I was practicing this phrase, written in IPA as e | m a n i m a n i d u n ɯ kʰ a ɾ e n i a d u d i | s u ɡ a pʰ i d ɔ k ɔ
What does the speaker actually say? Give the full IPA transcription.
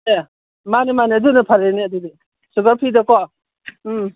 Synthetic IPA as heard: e | m a n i m a n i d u n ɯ pʰ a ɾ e n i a d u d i | s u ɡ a pʰ i d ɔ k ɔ